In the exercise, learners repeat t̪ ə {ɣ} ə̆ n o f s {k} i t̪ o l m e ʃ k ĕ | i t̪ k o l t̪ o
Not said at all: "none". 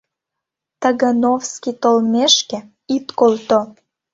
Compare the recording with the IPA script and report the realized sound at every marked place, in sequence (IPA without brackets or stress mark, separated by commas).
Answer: ɣ, k